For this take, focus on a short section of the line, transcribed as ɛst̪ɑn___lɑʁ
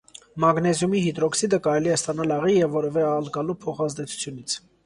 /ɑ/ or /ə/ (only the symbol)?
ɑ